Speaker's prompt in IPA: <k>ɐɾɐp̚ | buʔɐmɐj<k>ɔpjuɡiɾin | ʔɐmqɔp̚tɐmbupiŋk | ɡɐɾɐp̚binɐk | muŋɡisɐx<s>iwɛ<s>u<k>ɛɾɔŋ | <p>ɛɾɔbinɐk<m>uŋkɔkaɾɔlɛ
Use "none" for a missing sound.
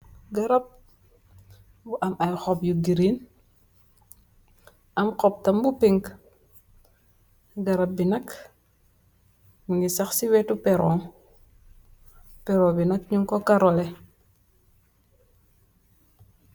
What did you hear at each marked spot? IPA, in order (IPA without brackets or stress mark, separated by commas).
ɡ, x, s, t, p, p, ɲ